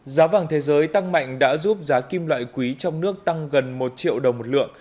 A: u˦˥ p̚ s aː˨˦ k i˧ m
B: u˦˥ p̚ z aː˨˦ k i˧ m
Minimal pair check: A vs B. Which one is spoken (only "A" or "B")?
B